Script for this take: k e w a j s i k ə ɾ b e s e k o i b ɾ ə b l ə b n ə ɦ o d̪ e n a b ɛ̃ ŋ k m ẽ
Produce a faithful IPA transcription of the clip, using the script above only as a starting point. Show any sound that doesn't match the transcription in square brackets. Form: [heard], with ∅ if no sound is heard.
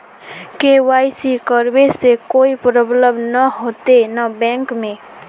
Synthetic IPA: k e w a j s i k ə ɾ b e s e k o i [p] ɾ ə b l ə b n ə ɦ o [t̪] e n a b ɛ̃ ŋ k m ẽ